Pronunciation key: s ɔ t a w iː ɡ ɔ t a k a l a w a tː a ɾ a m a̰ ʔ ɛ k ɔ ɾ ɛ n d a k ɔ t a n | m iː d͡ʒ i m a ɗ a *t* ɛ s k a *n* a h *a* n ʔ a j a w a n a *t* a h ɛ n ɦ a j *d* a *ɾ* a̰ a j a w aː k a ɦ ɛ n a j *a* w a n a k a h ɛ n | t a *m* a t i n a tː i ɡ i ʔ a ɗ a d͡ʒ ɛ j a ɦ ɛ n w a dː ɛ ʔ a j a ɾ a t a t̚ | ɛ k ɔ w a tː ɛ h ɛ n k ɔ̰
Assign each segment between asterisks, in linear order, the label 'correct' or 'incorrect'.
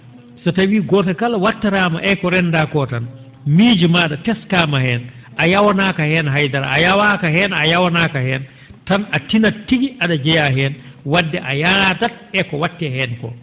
correct, incorrect, incorrect, incorrect, correct, correct, correct, incorrect

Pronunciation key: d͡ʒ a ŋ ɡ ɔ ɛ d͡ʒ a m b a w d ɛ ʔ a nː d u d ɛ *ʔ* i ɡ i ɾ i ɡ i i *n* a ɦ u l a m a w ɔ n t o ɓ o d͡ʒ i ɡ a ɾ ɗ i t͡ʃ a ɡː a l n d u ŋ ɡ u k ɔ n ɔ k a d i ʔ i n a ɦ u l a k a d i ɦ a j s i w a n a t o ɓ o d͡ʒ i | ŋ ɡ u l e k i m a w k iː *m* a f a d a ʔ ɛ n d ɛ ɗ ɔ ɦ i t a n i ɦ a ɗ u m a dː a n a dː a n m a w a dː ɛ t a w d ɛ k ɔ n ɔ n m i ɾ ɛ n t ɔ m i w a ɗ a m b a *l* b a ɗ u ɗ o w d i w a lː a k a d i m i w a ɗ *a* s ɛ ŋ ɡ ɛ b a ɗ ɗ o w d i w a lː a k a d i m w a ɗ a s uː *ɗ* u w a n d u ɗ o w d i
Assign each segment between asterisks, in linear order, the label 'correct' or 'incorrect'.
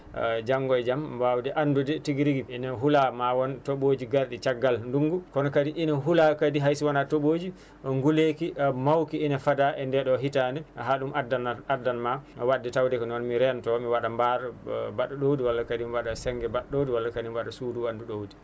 incorrect, correct, incorrect, incorrect, correct, incorrect

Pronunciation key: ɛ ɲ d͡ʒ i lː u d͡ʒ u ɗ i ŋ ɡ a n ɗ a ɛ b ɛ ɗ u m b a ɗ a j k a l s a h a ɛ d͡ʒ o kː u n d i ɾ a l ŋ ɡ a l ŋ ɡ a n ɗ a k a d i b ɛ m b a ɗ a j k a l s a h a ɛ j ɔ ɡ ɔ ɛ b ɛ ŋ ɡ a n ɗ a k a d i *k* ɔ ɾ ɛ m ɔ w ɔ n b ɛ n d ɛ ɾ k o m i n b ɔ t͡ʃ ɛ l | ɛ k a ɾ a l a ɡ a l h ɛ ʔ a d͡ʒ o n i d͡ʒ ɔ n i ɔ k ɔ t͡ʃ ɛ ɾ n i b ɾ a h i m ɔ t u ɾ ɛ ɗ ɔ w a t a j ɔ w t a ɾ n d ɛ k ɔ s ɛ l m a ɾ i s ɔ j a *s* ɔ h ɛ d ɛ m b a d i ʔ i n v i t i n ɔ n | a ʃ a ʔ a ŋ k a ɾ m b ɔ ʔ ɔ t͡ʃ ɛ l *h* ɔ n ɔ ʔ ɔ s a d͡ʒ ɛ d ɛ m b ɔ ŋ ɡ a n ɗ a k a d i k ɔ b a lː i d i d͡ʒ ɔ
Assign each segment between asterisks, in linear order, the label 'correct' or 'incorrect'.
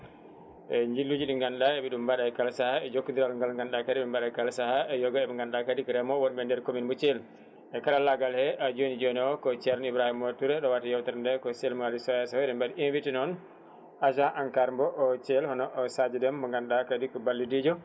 correct, correct, correct

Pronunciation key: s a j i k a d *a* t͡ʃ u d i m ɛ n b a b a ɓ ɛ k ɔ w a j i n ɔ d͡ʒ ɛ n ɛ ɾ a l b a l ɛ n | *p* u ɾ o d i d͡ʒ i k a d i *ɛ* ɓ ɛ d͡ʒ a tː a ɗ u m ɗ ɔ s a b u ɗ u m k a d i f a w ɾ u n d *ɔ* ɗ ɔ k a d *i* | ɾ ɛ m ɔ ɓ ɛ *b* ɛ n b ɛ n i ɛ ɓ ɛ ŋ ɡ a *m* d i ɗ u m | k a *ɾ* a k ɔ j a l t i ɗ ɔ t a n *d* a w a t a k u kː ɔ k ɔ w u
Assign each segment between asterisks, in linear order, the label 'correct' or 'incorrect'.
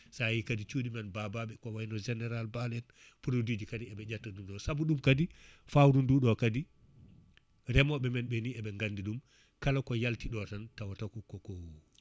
incorrect, correct, correct, incorrect, correct, incorrect, incorrect, incorrect, incorrect

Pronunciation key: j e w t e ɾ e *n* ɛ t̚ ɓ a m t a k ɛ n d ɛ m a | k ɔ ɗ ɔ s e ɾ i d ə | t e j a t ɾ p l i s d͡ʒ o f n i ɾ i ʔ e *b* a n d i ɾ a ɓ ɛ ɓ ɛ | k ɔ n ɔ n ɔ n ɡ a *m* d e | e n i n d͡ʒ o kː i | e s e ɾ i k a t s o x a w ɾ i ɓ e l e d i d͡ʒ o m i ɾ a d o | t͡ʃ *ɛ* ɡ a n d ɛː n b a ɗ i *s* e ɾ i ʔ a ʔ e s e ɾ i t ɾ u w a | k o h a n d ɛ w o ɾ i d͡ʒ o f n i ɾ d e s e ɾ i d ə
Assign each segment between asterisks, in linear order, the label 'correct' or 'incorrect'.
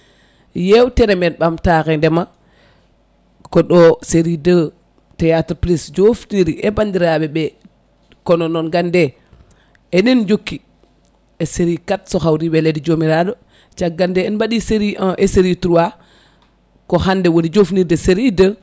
incorrect, correct, incorrect, incorrect, correct

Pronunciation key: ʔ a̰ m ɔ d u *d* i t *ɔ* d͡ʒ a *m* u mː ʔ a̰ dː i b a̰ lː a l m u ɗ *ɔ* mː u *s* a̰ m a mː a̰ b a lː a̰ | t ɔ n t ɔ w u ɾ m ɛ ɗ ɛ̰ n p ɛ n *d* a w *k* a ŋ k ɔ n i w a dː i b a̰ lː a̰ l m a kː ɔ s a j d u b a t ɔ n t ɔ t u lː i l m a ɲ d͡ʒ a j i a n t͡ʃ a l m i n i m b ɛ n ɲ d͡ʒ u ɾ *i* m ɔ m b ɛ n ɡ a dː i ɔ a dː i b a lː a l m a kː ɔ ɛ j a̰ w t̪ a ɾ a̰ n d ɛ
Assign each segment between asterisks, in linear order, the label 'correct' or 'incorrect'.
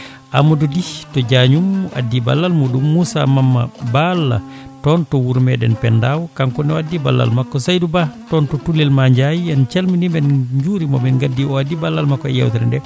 correct, correct, incorrect, incorrect, correct, correct, correct, correct

